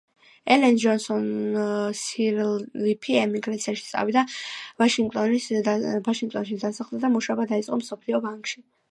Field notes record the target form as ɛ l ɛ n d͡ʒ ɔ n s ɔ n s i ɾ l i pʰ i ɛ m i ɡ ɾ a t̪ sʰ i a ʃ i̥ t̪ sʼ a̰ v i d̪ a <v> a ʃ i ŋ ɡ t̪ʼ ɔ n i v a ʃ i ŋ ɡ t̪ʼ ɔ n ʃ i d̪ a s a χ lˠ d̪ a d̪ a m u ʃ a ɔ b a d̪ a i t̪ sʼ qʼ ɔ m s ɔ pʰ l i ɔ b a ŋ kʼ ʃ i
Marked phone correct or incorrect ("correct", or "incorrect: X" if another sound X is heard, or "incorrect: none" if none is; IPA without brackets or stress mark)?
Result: correct